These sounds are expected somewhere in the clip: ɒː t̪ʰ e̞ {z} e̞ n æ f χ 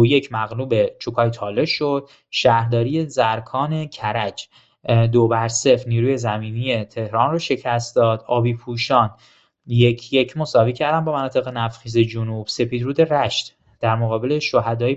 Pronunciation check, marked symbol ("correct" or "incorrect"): incorrect